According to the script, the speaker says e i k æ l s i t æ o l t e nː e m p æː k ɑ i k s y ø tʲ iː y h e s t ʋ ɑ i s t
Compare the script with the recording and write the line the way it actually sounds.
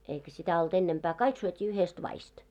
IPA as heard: e i k æ s i t æ o l t e nː e m p æː k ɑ i k s y ø tʲ iː y h e s t ʋ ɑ i s t